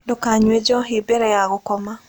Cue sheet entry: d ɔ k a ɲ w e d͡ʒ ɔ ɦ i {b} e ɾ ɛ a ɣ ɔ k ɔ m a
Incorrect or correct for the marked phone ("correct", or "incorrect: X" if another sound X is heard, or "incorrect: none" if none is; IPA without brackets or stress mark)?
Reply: correct